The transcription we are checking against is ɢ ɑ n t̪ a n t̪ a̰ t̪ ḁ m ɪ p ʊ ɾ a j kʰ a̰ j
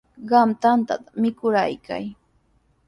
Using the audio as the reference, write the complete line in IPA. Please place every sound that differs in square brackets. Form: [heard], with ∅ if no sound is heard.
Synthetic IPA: ɢ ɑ [m] t̪ a n t̪ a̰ t̪ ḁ m ɪ [k] ʊ ɾ a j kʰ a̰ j